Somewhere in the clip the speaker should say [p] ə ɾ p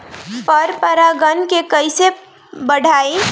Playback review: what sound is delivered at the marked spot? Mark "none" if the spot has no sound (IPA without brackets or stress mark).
p